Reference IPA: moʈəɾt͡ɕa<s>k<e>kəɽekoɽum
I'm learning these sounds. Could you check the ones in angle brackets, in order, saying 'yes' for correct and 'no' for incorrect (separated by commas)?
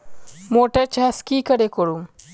yes, no